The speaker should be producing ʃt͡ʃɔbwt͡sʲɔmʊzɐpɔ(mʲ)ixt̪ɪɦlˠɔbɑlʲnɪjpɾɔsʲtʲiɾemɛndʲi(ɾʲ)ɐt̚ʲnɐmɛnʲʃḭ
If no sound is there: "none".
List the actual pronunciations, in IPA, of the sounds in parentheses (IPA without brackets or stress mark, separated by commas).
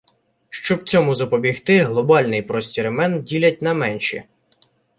bʲ, lʲ